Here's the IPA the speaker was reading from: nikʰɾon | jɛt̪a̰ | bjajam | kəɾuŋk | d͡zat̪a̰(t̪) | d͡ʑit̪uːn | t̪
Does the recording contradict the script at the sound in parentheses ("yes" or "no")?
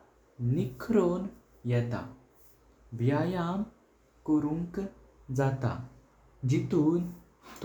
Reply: yes